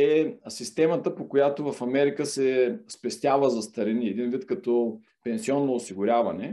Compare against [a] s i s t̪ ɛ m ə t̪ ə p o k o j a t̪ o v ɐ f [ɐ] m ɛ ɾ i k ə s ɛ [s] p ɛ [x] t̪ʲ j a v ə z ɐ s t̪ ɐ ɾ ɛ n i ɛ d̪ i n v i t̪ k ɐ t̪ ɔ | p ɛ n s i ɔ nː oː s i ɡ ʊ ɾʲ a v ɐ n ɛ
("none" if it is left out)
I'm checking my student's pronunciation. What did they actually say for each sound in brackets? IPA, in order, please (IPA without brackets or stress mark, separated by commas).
ɛ, ɐ, s, s